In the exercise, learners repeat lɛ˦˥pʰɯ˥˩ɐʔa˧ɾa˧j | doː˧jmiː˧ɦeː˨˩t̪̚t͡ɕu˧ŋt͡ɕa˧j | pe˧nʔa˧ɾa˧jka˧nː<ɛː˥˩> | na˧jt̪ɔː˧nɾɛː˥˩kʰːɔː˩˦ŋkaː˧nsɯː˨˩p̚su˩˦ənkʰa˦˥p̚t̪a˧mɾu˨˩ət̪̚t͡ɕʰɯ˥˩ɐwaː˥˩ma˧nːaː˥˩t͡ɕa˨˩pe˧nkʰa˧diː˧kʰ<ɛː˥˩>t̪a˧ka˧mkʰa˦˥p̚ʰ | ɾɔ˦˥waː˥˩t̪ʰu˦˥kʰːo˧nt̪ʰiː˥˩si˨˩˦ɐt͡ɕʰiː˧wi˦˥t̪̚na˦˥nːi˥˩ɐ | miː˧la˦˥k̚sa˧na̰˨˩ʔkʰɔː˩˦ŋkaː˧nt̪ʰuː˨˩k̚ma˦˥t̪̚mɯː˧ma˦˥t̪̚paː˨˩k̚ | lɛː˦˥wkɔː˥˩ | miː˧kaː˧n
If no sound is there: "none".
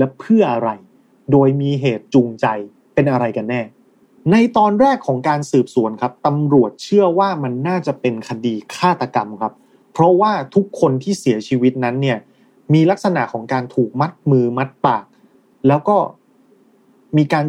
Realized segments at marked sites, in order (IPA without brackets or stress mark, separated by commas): ɛː˥˩, aː˥˩